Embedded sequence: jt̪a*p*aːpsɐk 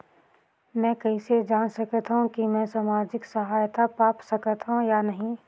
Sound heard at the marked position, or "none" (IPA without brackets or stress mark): p